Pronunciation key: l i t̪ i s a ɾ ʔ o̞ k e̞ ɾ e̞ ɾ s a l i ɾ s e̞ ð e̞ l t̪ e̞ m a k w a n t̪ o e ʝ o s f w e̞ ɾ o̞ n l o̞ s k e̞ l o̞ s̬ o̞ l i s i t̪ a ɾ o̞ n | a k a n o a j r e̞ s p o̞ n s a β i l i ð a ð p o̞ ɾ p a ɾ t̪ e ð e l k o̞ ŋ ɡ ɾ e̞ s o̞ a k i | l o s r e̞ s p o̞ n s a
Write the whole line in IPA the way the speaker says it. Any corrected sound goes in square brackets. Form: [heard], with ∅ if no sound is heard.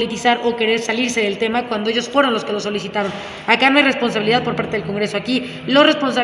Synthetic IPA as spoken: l i t̪ i s a ɾ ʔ o̞ k e̞ ɾ e̞ ɾ s a l i ɾ s e̞ ð e̞ l t̪ e̞ m a k w a n [d̪] o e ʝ o s f w e̞ ɾ o̞ n l o̞ s k e̞ l o̞ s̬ o̞ l i s i t̪ a ɾ o̞ n | a k a n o a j r e̞ s p o̞ n s a β i l i ð a ð p o̞ ɾ p a ɾ t̪ e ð e l k o̞ ŋ ɡ ɾ e̞ s o̞ a k i | l o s r e̞ s p o̞ n s a